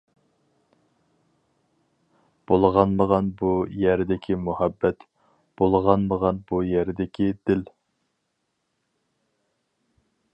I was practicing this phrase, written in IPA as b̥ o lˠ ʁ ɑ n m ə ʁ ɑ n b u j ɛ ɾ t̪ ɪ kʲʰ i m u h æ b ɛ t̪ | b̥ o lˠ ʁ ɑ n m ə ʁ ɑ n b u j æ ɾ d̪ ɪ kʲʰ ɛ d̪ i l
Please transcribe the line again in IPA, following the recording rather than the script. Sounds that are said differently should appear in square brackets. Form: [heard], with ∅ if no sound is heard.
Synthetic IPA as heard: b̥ o lˠ ʁ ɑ n m ə ʁ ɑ n b u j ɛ ɾ [d̪] ɪ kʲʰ i m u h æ [bː] ɛ t̪ | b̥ o lˠ ʁ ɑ n m ə ʁ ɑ n b u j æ ɾ d̪ ɪ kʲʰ [i] d̪ [ɪ] l